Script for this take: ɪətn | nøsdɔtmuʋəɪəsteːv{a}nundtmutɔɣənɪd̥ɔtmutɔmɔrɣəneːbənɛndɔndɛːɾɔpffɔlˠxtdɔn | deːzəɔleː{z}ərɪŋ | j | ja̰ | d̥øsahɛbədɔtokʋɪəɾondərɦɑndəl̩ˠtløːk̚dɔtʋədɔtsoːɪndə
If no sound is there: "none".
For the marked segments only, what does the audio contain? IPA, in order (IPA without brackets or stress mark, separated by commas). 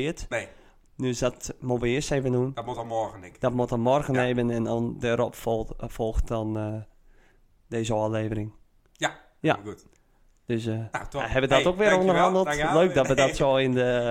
ə, v